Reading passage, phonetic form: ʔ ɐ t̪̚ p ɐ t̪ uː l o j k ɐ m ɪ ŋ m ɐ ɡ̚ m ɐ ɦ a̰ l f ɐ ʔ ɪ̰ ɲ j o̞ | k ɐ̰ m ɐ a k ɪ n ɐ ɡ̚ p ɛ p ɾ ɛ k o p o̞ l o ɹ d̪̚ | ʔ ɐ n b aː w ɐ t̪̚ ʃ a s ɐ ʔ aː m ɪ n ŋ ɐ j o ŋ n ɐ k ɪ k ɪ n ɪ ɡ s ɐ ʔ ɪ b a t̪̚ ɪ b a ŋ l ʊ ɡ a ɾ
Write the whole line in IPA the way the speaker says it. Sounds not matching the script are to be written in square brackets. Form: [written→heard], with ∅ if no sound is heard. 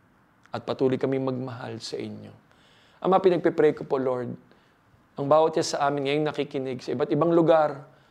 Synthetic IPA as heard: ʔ ɐ t̪̚ p ɐ t̪ uː l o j k ɐ m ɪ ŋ m ɐ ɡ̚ m ɐ ɦ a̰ l [f→s] ɐ ʔ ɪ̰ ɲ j o̞ | [k→ʔ] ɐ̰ m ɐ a [k→p] ɪ n ɐ ɡ̚ p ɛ p ɾ ɛ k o p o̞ l o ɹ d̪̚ | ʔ ɐ [n→ŋ] b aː w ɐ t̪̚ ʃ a s ɐ ʔ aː m ɪ n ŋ ɐ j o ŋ n ɐ k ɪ k ɪ n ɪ ɡ s ɐ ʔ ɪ b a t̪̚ ɪ b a ŋ l ʊ ɡ a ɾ